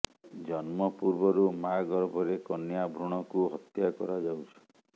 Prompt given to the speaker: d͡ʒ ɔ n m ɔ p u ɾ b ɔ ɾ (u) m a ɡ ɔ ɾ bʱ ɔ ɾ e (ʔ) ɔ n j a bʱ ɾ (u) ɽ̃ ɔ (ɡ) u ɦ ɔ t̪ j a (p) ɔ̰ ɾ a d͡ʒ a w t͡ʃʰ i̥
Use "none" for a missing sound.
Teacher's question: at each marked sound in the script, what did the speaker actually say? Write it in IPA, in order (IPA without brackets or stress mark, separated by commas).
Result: u, k, u, k, k